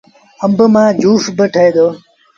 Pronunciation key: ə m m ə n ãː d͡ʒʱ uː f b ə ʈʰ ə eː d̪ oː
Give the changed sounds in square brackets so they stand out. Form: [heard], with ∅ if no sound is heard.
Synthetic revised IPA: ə m [b] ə [m] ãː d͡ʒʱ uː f b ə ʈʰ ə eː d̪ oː